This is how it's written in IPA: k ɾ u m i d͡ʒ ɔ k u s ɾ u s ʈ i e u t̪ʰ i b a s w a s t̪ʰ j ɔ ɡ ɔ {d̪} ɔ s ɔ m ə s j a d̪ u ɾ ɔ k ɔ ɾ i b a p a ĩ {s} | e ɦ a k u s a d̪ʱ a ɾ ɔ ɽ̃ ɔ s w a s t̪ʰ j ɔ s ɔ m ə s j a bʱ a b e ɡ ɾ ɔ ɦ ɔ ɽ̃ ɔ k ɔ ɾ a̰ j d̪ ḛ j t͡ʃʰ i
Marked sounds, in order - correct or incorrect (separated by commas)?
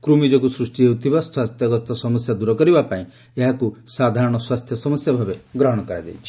incorrect, incorrect